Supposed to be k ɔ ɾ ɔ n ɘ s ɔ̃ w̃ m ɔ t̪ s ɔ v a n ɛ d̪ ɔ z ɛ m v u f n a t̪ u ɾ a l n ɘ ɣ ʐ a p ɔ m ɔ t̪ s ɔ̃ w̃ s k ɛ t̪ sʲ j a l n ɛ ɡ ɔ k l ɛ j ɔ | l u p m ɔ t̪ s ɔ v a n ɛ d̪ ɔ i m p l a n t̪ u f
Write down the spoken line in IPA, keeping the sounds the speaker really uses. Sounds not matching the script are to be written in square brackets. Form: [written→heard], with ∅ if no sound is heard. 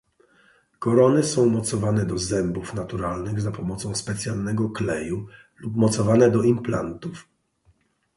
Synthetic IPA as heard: k ɔ ɾ ɔ n ɘ s ɔ̃ w̃ m ɔ t̪ s ɔ v a n ɛ d̪ ɔ z ɛ m [v→b] u f n a t̪ u ɾ a l n ɘ ɣ [ʐ→z] a p ɔ m ɔ t̪ s ɔ̃ w̃ s [k→p] ɛ t̪ sʲ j a l n ɛ ɡ ɔ k l ɛ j [ɔ→u] | l u p m ɔ t̪ s ɔ v a n ɛ d̪ ɔ i m p l a n t̪ u f

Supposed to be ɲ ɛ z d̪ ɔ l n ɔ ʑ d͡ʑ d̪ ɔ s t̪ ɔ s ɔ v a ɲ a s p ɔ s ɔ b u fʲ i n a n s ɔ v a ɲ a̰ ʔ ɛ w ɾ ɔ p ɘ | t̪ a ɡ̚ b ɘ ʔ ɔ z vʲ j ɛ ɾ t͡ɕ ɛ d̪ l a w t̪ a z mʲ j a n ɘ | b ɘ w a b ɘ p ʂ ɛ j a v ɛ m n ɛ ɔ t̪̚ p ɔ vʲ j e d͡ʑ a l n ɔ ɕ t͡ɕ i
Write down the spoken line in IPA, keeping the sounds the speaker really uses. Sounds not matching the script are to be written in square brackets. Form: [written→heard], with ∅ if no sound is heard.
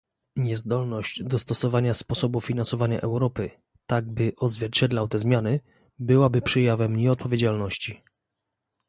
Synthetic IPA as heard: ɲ ɛ z d̪ ɔ l n ɔ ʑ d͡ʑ d̪ ɔ s t̪ ɔ s ɔ v a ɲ a s p ɔ s ɔ b u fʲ i n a n s ɔ v a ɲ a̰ ʔ ɛ w ɾ ɔ p ɘ | t̪ a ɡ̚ b ɘ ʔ ɔ z vʲ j ɛ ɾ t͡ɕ ɛ d̪ l a w t̪ [a→ɛ] z mʲ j a n ɘ | b ɘ w a b ɘ p ʂ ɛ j a v ɛ m [n→ɲ] ɛ ɔ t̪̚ p ɔ vʲ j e d͡ʑ a l n ɔ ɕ t͡ɕ i

